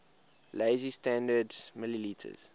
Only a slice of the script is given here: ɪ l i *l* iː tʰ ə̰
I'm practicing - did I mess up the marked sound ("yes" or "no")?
no